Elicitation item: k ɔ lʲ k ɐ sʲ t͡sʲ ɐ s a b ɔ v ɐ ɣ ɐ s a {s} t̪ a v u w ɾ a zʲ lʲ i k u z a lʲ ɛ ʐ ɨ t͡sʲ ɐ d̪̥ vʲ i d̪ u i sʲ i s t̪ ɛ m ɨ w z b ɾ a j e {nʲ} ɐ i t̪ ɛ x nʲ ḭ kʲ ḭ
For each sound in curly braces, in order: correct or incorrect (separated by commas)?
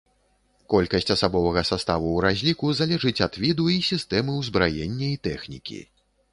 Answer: correct, incorrect